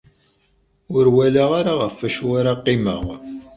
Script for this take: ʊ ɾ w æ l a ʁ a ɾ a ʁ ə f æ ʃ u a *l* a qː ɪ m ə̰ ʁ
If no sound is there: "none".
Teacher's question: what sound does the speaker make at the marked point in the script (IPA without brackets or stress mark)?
ɾ